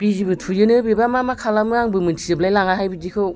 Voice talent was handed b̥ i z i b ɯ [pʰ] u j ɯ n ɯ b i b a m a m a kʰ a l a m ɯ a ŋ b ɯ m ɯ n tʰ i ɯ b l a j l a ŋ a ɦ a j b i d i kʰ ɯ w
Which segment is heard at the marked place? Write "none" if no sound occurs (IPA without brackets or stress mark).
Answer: tʰ